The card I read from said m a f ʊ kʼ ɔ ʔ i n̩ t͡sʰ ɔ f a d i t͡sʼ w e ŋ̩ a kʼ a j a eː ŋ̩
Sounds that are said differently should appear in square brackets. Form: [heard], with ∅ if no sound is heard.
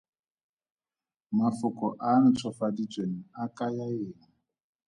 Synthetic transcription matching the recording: m a f ʊ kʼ ɔ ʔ [a] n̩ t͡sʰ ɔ f a d i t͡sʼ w e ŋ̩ a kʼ a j a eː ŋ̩

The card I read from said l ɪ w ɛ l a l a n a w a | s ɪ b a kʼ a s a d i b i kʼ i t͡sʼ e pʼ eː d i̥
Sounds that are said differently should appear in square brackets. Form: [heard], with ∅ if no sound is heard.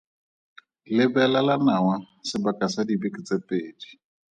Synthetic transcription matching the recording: l ɪ [b] ɛ l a l a n a w a | s ɪ b a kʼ a s a d i b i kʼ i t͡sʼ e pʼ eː d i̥

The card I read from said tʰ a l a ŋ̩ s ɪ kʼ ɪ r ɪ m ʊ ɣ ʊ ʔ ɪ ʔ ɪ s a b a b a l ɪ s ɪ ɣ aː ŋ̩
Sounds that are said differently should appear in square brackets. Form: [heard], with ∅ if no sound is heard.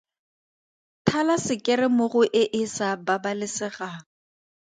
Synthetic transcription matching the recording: tʰ a l a [∅] s ɪ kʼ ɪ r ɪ m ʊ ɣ ʊ ʔ ɪ ʔ ɪ s a b a b a l ɪ s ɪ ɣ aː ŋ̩

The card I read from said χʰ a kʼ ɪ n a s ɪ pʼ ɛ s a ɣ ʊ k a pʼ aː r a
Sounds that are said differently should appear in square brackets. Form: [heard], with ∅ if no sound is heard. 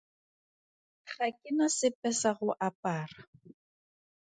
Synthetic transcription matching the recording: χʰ a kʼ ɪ n a s ɪ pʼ ɛ s a ɣ ʊ [ʔ] a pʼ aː r a

